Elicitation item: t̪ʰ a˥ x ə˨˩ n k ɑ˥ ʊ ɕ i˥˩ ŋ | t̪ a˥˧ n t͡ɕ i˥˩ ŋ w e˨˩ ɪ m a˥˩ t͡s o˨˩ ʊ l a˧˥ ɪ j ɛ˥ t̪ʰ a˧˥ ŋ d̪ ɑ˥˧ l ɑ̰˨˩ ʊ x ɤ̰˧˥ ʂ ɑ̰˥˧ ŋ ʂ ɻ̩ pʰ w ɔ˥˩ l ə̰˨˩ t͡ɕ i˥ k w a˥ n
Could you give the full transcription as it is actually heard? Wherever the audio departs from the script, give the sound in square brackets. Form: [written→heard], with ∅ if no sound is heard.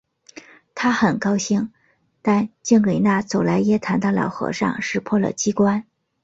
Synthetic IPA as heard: t̪ʰ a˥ x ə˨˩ n k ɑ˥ ʊ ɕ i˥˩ ŋ | t̪ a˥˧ n t͡ɕ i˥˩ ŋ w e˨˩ ɪ [m→n] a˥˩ t͡s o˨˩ ʊ l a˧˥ ɪ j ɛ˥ t̪ʰ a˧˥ [ŋ→n] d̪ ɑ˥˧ l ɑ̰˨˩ ʊ x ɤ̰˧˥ ʂ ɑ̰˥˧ ŋ ʂ ɻ̩ pʰ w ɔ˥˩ l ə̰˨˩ t͡ɕ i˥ k w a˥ n